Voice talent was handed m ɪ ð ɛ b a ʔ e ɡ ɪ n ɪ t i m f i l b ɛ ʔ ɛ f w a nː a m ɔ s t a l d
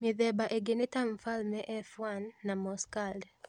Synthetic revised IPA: m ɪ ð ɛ b a ʔ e ɡ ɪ n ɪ t a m f a l m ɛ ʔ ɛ f w a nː a m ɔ s k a l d